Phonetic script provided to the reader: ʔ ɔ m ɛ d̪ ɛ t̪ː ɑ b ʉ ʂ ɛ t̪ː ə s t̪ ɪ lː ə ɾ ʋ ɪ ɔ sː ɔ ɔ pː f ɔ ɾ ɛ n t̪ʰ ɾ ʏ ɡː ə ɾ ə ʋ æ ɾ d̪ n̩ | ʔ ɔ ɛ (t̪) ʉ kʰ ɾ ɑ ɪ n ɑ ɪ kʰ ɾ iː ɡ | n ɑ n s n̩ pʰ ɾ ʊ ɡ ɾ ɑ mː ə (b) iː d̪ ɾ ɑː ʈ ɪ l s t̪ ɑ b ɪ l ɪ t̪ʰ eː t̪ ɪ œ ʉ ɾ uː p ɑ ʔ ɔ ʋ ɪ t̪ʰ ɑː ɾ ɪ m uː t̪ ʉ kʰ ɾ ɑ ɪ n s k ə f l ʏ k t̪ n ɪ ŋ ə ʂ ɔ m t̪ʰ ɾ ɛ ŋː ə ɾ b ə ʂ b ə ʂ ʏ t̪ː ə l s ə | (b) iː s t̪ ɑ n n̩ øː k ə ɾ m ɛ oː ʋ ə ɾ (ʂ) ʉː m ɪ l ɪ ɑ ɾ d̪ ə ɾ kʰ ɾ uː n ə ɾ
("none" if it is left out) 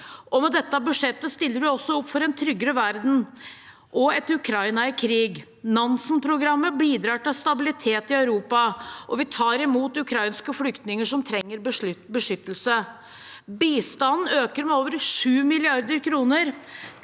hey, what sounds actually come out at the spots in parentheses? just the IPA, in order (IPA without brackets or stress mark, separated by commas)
t̪, b, b, ʂ